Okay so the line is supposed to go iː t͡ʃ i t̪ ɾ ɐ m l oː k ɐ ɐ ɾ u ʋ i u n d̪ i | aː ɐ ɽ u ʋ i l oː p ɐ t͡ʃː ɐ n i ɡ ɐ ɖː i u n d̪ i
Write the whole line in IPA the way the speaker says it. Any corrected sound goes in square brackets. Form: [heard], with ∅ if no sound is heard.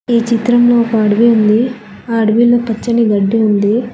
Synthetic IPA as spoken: iː t͡ʃ i t̪ ɾ ɐ m l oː k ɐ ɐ [ɽ] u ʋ i u n d̪ i | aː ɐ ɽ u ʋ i l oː p ɐ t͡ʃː ɐ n i ɡ ɐ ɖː i u n d̪ i